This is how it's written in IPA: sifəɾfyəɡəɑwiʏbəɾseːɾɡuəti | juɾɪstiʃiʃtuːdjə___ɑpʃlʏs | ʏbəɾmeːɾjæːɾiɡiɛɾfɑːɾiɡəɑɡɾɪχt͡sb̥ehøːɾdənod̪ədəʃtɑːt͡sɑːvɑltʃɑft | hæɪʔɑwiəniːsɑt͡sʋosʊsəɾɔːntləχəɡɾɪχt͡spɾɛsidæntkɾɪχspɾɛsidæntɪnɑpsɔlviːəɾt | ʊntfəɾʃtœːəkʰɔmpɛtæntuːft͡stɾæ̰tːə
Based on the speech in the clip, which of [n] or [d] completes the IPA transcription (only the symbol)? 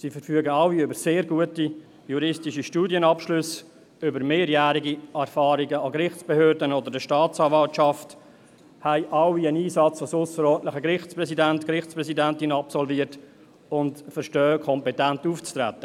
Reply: n